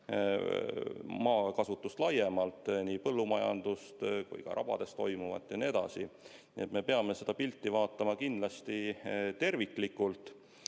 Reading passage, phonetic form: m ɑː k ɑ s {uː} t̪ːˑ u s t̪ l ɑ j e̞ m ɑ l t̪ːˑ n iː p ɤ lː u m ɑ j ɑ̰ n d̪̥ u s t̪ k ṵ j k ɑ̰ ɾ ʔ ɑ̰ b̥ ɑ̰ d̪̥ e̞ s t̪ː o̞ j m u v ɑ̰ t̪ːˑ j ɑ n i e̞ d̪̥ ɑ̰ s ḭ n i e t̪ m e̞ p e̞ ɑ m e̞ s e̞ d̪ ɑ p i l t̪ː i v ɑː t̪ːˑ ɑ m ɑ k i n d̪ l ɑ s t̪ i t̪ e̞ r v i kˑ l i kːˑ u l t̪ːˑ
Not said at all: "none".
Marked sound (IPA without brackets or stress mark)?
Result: u